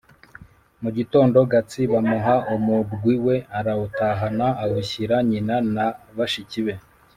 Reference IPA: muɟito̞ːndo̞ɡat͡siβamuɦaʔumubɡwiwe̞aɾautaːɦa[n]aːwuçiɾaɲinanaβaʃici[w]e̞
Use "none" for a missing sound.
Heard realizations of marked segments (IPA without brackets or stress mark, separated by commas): n, β